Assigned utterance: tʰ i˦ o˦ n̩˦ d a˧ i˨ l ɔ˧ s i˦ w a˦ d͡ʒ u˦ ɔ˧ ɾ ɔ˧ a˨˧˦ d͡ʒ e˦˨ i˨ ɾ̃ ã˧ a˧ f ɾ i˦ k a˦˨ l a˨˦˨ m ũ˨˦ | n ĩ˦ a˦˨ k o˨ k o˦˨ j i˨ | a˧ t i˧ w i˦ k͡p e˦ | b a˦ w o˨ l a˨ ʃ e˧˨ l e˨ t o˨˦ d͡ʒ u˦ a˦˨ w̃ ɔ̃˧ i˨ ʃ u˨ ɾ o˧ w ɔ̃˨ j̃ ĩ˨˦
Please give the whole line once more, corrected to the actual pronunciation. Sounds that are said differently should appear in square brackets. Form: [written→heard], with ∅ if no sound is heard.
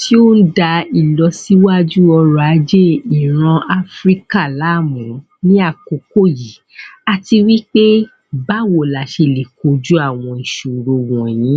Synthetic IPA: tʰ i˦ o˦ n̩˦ d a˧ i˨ l ɔ˧ s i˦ w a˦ d͡ʒ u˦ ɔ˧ ɾ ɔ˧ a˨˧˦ d͡ʒ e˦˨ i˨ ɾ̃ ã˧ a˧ f ɾ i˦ k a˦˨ l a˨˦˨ m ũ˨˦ | n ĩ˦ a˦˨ k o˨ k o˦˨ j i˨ | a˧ t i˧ w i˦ k͡p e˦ | b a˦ w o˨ l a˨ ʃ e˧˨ l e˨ [t→k] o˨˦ d͡ʒ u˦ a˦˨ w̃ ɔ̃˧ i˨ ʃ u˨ ɾ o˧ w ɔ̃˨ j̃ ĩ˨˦